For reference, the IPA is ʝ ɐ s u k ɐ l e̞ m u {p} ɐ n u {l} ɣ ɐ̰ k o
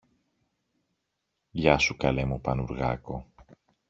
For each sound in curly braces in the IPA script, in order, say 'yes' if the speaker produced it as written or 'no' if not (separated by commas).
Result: yes, no